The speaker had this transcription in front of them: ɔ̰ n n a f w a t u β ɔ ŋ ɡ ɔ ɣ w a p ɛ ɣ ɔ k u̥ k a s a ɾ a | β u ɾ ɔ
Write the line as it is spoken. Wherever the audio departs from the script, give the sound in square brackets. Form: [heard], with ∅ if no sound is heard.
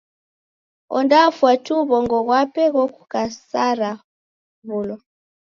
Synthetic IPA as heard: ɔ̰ n [d] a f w a t u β ɔ ŋ ɡ ɔ ɣ w a p ɛ ɣ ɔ k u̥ k a s a ɾ a | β u [l] ɔ